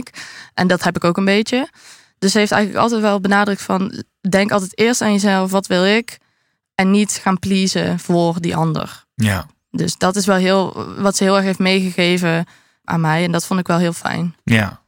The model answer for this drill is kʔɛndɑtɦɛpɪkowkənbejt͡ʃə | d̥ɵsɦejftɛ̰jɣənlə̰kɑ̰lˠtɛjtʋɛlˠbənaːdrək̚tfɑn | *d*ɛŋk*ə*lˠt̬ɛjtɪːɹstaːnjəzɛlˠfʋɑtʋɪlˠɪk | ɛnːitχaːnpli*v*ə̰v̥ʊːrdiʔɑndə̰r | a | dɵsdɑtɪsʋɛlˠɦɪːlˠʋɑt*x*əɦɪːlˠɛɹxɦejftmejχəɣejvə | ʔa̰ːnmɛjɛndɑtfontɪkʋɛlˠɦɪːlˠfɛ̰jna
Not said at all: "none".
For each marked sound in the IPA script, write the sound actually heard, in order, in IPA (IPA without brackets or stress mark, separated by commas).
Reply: d, ɑ, z, s